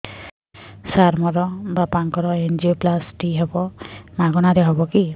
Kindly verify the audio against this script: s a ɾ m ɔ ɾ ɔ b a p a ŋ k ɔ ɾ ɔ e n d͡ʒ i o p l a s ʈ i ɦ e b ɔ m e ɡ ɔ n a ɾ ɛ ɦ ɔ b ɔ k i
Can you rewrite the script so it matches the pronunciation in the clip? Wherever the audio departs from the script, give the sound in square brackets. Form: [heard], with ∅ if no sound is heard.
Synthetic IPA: s a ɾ m ɔ ɾ ɔ b a p a ŋ k ɔ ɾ ɔ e n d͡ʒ i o p l a s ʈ i ɦ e b ɔ m [a] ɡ ɔ n a ɾ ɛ ɦ ɔ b ɔ k i

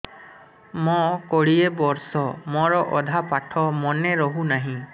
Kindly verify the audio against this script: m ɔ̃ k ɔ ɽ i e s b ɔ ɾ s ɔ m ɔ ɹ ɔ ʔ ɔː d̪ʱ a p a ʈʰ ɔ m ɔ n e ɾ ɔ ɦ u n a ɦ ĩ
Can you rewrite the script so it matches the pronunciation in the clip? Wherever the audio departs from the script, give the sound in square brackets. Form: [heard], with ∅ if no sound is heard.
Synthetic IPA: m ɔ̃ k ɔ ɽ i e [∅] b ɔ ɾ s ɔ m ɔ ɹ ɔ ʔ [ɔ] d̪ʱ a p a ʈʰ ɔ m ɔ n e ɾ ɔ ɦ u n a ɦ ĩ

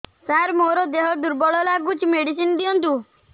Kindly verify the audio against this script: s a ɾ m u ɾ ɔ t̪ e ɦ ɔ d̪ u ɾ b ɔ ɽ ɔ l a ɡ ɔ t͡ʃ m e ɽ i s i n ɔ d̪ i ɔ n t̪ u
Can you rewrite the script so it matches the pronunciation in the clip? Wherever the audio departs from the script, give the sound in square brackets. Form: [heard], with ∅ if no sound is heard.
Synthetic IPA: s a ɾ m [o] ɾ ɔ [d̪] e ɦ ɔ d̪ u ɾ b ɔ [ɭ] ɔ l a ɡ [u] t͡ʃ m e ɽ i s i n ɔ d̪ i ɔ n t̪ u

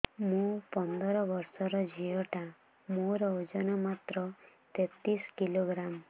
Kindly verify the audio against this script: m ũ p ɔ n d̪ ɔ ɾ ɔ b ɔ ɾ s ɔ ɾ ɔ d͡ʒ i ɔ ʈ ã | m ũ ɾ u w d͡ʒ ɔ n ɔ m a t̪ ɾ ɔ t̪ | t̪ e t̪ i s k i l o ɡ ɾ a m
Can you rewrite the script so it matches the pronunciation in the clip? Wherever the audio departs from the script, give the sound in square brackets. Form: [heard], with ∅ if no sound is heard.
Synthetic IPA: m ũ p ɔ n d̪ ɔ ɾ ɔ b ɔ ɾ s ɔ ɾ ɔ d͡ʒ i ɔ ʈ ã | m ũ ɾ [ɔ] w d͡ʒ ɔ n ɔ m a t̪ ɾ ɔ [∅] | t̪ e t̪ i s k i l o ɡ ɾ a m

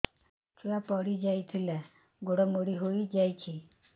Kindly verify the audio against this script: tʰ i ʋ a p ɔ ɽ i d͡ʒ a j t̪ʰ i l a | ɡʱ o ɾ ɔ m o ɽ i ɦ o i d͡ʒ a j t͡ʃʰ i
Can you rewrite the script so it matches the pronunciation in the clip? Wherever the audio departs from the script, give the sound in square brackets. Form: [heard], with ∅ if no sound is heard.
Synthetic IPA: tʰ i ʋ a p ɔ ɽ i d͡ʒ a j t̪ʰ i l a | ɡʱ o [ɽ] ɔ m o ɽ i ɦ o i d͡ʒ a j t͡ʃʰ i

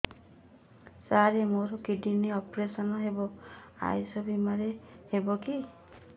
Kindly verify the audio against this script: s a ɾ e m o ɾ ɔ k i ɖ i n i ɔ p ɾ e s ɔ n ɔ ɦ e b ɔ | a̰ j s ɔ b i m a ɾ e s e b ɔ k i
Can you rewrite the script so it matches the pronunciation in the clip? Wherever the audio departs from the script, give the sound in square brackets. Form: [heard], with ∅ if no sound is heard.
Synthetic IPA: s a ɾ e m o ɾ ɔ k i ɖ i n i ɔ p ɾ e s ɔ n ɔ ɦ e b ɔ | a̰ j s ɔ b i m a ɾ e [h] e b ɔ k i

